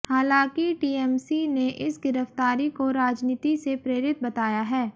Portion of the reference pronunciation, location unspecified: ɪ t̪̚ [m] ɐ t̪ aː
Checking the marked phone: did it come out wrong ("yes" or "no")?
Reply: yes